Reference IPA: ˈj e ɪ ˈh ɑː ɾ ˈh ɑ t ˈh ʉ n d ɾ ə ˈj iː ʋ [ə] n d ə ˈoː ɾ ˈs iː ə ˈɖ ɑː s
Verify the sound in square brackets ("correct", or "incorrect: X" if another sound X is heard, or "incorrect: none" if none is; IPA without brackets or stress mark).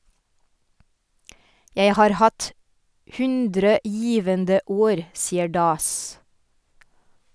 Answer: correct